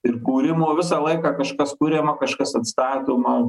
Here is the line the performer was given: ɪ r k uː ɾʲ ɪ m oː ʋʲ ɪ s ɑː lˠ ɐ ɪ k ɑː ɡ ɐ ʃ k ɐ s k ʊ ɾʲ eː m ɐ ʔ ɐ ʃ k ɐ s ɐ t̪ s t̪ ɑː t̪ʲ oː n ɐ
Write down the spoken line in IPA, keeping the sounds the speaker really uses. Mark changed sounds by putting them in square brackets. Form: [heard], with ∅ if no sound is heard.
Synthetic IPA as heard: ɪ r k uː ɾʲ ɪ m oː ʋʲ ɪ s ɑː lˠ ɐ ɪ k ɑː [k] ɐ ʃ k ɐ s k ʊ ɾʲ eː m ɐ [k] ɐ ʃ k ɐ s ɐ t̪ s t̪ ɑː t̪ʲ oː [m] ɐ